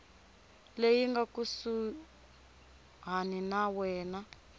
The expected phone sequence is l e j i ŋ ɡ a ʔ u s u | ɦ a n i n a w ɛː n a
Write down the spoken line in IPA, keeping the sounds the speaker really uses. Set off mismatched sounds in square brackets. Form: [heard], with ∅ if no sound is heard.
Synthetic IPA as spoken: l e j i ŋ ɡ a [k] u s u | ɦ a n i n a w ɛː n a